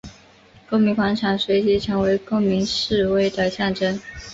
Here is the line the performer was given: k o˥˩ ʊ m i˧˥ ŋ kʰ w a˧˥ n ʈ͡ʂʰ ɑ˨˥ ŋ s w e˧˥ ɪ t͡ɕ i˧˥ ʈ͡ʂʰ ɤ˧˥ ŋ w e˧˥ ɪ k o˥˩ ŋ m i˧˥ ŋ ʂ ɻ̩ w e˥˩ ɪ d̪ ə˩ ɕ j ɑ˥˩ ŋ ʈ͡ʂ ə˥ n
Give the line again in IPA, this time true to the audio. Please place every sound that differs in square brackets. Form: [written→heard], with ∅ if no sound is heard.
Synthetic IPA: k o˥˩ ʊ m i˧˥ ŋ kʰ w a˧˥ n ʈ͡ʂʰ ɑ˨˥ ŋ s w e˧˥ ɪ t͡ɕ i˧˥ ʈ͡ʂʰ ɤ˧˥ ŋ w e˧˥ ɪ k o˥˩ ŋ m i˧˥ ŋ ʂ ɻ̩ w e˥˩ ɪ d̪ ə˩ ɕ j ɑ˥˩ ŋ ʈ͡ʂ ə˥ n